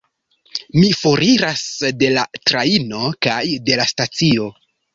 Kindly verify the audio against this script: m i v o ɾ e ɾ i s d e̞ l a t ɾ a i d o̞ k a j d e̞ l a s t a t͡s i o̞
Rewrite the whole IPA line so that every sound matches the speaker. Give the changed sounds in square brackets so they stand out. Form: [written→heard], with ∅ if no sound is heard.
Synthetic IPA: m i [v→f] o ɾ [e→i] ɾ [i→a] s d e̞ l a t ɾ a i [d→n] o̞ k a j d e̞ l a s t a t͡s i o̞